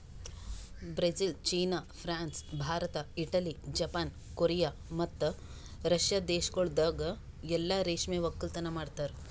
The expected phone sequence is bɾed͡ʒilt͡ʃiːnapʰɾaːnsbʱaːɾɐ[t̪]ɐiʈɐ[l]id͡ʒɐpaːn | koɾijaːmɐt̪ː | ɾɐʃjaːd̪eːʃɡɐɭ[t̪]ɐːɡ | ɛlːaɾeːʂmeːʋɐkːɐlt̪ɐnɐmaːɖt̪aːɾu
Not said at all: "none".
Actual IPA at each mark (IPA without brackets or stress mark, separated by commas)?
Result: t̪, l, d̪